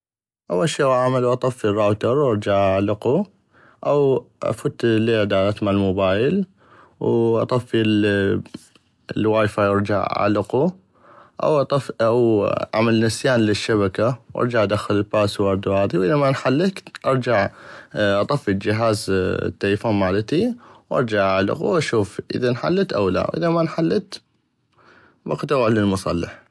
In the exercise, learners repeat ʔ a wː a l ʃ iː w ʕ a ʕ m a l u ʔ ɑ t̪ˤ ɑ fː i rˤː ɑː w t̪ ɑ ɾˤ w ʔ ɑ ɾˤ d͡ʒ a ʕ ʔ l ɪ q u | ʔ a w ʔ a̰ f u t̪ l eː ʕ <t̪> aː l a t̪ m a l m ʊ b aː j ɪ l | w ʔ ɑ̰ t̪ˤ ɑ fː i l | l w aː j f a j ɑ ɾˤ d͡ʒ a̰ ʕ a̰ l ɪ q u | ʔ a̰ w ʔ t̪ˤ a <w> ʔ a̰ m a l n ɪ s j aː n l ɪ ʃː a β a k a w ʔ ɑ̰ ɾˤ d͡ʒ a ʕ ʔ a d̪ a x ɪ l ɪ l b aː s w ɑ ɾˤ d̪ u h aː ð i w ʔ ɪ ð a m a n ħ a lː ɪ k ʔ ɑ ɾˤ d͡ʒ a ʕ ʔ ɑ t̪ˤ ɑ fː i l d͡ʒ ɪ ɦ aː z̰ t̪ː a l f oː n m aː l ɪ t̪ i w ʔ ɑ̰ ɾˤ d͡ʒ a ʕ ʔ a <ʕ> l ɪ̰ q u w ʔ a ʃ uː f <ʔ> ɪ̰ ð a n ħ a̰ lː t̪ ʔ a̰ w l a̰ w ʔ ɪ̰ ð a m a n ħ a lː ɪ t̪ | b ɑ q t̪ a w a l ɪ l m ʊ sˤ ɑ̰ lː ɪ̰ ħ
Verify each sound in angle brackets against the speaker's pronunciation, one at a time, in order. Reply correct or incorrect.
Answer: incorrect: d̪, correct, correct, correct

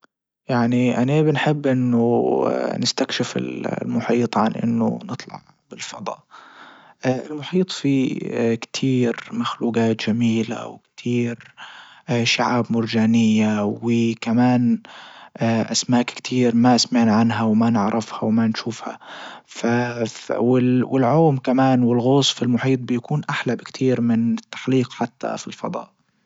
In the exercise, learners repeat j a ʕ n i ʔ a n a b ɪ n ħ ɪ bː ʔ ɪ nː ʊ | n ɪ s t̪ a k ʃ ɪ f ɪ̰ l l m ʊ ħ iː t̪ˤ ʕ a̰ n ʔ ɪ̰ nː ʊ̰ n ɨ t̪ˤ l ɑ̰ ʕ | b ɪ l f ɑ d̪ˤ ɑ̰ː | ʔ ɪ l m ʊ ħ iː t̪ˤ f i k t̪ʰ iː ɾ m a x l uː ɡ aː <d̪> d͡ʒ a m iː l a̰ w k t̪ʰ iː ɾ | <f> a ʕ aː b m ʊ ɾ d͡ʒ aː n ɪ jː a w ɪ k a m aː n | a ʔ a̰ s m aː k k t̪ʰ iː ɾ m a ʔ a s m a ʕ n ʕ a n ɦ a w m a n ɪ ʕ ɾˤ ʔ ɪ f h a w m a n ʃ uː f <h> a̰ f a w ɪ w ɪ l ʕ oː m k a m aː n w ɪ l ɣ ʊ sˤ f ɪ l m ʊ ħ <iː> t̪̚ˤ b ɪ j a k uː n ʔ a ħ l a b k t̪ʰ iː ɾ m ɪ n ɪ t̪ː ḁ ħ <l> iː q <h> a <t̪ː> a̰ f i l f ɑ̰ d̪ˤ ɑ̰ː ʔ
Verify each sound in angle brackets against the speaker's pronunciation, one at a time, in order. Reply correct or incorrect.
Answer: incorrect: t̪, incorrect: ʃ, correct, correct, correct, incorrect: ħ, correct

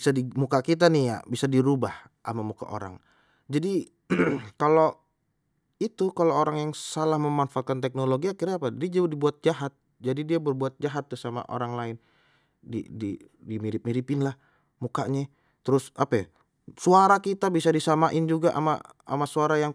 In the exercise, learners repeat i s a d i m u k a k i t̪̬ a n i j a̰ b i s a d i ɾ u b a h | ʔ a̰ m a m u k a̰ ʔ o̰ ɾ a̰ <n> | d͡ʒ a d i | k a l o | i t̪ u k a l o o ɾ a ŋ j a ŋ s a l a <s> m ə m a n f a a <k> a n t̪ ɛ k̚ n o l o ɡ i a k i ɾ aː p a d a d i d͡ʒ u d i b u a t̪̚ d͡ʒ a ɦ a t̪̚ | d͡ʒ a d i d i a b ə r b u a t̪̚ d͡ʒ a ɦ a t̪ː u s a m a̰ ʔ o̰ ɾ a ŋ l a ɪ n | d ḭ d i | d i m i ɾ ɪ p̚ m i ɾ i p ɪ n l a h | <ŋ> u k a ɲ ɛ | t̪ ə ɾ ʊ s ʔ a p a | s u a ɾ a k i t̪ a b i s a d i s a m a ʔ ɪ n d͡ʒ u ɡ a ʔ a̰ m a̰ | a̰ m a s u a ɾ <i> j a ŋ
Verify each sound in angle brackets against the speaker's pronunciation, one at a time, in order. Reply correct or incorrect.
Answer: incorrect: ŋ, incorrect: h, correct, incorrect: m, incorrect: a

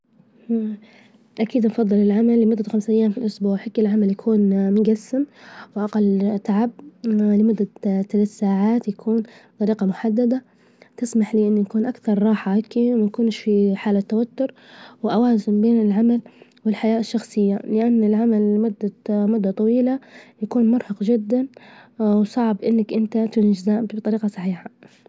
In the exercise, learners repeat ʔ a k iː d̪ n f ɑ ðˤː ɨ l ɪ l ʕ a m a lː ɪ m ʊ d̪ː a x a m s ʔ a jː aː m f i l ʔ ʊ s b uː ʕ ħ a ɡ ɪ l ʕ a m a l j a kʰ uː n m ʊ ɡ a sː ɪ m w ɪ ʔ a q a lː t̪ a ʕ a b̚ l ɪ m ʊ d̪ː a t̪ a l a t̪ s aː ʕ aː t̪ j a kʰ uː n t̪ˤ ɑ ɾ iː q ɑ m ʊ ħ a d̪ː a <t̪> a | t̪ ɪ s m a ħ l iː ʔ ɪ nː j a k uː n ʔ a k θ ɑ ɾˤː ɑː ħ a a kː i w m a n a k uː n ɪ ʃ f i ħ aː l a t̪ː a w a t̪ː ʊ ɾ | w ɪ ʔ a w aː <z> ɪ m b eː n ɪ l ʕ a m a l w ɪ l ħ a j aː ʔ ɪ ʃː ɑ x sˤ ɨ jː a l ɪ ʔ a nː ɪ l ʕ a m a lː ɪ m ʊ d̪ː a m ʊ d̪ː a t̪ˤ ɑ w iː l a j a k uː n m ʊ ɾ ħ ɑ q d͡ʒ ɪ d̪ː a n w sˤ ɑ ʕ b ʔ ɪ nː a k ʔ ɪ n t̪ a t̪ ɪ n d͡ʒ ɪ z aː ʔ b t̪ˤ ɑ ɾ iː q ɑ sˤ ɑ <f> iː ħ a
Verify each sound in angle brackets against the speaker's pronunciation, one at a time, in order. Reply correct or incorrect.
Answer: incorrect: d̪, correct, incorrect: ħ

